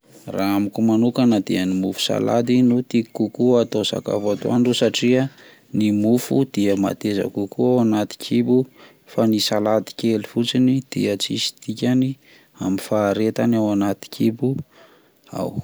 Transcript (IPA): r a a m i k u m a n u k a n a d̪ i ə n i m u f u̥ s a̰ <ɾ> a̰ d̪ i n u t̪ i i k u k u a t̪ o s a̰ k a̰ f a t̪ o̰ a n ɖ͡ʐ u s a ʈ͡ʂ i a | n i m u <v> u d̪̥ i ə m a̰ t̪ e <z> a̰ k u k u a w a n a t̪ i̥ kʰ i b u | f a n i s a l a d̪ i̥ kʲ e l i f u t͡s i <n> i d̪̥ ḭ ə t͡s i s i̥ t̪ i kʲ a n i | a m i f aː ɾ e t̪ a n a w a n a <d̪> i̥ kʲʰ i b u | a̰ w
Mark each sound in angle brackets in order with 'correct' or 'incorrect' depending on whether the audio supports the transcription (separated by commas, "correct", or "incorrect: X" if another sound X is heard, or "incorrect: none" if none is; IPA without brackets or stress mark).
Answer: incorrect: l, incorrect: f, correct, correct, incorrect: t̪